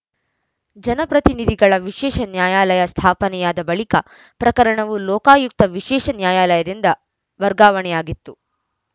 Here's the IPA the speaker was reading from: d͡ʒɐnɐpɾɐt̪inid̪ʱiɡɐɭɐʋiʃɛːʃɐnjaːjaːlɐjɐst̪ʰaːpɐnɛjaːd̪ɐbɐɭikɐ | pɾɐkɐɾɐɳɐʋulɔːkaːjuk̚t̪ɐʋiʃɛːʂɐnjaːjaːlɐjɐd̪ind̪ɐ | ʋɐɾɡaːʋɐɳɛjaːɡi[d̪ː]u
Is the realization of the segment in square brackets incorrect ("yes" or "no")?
yes